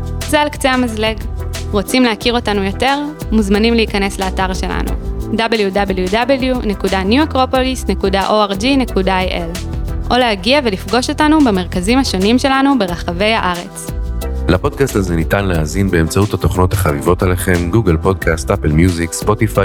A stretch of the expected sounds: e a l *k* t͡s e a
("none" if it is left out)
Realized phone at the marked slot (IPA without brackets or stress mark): k